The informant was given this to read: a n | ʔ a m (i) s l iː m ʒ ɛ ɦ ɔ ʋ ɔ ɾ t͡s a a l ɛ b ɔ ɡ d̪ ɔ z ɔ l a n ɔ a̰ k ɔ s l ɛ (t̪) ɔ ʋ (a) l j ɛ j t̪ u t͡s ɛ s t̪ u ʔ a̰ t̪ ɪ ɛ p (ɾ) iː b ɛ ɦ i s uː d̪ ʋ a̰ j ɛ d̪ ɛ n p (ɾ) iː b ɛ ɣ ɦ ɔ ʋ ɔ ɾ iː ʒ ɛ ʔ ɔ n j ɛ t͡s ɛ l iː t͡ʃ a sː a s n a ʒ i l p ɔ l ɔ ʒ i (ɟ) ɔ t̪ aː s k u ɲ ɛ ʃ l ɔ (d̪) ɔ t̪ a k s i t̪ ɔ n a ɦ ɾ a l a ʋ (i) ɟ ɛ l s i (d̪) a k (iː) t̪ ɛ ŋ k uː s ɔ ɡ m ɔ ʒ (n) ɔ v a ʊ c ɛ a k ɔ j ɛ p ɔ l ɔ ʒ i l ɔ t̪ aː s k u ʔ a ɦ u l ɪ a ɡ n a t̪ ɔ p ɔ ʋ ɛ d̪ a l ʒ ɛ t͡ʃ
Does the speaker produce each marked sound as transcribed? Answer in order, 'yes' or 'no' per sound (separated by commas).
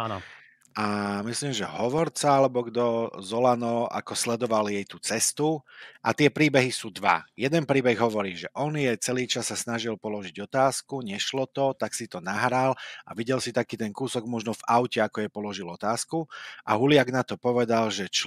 yes, no, yes, yes, yes, yes, no, yes, no, yes, yes